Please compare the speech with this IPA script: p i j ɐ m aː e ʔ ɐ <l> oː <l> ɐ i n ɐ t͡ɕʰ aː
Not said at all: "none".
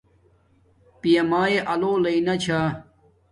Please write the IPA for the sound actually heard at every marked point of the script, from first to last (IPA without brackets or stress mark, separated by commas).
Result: l, l